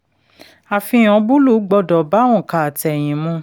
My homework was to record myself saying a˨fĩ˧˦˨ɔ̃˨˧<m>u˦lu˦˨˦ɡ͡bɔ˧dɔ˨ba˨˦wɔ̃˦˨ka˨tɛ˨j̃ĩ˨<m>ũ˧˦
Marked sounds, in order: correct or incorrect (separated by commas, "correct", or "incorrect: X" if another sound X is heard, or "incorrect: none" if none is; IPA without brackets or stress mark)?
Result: incorrect: b, correct